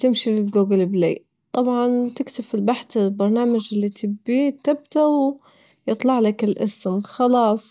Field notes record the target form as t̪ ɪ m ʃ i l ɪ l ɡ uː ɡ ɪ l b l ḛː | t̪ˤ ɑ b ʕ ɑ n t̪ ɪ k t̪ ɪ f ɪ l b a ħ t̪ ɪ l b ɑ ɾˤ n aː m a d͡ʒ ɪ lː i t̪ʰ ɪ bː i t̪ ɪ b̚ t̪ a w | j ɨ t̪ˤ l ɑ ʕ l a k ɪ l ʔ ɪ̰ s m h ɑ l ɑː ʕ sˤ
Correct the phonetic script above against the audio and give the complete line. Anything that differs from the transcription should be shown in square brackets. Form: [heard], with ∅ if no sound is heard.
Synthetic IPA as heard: t̪ ɪ m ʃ i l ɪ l ɡ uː ɡ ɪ l b l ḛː | t̪ˤ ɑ b ʕ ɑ n t̪ ɪ k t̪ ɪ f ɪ l b a ħ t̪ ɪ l b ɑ ɾˤ n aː m a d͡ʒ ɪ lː i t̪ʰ ɪ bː i t̪ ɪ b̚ t̪ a w | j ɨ t̪ˤ l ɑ ʕ l a k ɪ l ʔ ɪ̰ s m [x] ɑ l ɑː [∅] sˤ